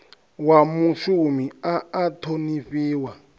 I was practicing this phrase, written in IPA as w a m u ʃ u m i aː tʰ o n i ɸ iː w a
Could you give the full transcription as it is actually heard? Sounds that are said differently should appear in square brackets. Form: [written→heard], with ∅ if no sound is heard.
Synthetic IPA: w a m u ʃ u m i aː tʰ o n i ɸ iː w a